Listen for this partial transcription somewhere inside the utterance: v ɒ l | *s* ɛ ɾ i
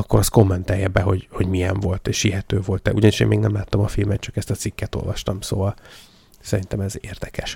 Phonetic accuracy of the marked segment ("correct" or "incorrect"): correct